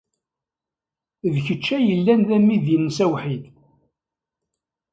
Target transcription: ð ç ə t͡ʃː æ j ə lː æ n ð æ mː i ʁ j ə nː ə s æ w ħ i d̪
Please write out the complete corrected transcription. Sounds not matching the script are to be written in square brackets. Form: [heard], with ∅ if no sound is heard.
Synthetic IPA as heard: ð ç ə t͡ʃː æ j ə lː æ n ð æ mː i [ð] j ə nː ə s æ w ħ i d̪